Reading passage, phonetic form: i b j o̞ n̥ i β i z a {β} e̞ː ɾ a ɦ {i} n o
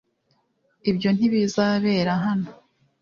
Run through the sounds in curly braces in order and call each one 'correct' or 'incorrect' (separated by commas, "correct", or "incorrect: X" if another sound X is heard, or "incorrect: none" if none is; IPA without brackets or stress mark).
correct, incorrect: a